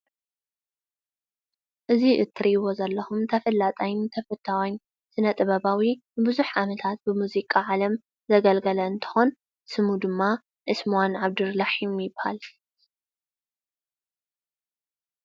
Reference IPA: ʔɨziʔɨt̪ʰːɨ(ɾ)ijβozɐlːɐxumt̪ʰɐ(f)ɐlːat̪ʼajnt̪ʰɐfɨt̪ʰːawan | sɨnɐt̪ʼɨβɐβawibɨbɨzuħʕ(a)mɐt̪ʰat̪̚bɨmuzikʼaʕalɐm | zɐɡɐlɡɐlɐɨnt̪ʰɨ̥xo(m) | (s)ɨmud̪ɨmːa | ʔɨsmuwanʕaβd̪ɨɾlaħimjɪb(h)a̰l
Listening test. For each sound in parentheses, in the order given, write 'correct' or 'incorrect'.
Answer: correct, correct, correct, incorrect, correct, correct

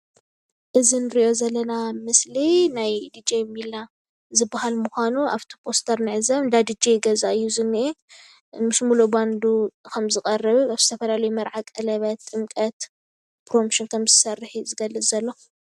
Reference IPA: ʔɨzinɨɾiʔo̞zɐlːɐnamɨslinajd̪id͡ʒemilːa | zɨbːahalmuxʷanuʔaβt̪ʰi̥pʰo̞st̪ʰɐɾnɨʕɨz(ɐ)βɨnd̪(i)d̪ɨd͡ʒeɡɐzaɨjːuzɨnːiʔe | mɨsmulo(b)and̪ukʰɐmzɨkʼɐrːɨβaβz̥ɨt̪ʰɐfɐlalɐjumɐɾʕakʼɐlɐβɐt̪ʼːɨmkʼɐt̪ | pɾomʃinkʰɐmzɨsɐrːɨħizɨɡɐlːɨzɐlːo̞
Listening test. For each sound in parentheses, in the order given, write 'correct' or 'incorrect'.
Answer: correct, incorrect, correct

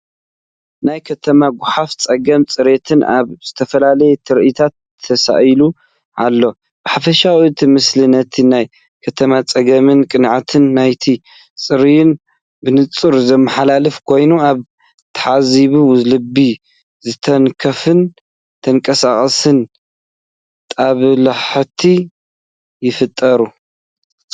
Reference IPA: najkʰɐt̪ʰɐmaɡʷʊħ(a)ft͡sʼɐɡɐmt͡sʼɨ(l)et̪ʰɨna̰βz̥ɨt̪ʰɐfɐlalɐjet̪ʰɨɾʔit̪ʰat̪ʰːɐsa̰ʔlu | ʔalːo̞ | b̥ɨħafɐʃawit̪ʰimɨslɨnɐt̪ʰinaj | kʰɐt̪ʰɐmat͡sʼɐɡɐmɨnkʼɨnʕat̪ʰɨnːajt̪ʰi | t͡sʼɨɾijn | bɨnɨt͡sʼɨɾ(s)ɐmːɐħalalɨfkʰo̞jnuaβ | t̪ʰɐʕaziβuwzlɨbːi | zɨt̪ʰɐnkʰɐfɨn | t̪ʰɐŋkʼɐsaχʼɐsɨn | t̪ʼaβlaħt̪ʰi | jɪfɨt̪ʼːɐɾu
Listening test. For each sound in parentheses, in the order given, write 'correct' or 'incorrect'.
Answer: correct, incorrect, incorrect

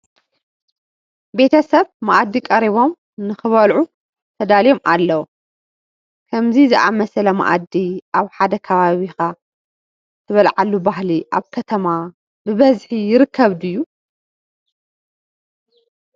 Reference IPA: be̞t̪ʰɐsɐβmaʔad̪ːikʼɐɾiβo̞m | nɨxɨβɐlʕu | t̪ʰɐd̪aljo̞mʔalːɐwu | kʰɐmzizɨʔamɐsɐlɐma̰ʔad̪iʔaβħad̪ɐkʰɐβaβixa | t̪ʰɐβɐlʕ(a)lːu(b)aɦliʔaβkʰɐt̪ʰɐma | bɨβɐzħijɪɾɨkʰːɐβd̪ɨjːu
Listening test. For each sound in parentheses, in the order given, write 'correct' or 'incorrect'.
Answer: correct, correct

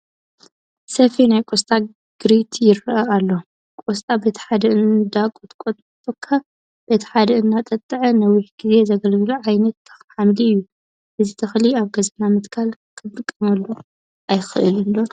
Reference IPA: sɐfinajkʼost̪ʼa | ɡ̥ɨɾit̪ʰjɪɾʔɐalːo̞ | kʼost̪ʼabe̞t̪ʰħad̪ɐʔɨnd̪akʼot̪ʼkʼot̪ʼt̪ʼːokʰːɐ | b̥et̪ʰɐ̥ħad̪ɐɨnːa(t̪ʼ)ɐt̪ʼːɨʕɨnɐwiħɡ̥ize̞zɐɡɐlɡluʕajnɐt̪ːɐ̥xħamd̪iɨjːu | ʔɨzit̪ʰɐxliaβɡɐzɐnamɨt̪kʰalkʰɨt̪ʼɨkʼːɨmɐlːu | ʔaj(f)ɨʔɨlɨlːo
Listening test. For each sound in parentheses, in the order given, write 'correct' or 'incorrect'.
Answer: correct, incorrect

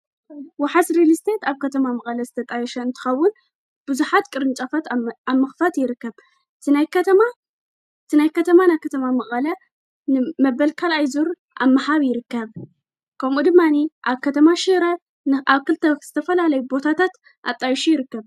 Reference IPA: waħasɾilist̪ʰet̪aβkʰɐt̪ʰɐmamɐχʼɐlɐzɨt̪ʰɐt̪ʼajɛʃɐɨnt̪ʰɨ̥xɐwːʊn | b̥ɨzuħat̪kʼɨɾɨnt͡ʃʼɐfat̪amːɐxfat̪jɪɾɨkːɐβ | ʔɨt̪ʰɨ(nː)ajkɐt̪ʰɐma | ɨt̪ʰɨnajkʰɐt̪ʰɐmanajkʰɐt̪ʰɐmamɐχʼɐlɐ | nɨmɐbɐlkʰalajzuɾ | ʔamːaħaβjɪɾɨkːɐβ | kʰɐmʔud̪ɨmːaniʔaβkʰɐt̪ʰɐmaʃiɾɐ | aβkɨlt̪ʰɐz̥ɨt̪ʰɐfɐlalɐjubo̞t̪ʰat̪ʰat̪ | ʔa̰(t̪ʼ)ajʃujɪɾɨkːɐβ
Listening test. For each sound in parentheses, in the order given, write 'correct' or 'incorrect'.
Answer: incorrect, correct

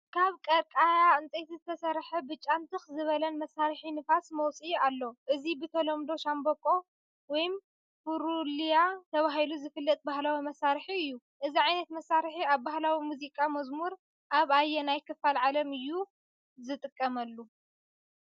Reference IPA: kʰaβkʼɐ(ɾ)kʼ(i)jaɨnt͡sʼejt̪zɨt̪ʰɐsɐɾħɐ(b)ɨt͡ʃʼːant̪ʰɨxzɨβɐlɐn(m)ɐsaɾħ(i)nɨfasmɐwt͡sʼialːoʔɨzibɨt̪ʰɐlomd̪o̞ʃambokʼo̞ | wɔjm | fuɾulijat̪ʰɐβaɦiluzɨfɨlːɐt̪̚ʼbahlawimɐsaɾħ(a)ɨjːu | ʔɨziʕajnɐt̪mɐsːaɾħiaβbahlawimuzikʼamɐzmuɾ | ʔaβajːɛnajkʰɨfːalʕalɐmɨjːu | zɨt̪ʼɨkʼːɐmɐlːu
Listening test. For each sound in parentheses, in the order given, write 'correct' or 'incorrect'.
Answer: correct, incorrect, correct, correct, correct, incorrect

